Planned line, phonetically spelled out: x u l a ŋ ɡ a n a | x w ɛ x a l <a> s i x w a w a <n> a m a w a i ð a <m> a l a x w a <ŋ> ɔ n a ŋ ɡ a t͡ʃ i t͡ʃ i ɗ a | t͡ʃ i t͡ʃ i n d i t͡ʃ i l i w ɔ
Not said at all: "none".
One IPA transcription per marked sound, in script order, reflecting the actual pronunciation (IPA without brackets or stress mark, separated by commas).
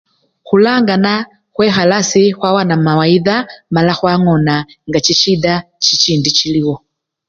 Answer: a, n, m, ŋ